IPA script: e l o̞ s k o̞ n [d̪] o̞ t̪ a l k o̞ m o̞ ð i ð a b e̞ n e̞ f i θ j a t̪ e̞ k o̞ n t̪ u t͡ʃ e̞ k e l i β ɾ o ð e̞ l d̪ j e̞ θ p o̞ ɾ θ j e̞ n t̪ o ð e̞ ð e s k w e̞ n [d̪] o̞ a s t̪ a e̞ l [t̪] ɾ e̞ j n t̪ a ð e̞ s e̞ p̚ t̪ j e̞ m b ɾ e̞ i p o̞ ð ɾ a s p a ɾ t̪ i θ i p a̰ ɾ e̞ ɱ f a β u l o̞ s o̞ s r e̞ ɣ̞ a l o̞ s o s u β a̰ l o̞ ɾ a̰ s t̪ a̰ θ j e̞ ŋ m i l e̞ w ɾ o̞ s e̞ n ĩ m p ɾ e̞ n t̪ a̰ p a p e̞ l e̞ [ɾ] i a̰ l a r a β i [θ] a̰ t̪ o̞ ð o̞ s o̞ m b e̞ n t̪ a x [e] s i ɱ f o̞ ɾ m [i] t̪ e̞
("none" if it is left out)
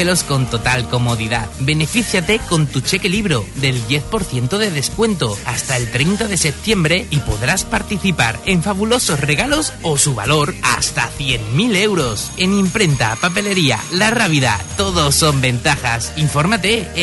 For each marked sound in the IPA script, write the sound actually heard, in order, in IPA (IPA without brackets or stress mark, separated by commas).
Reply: t̪, t̪, t̪, ɾ, ð, a, a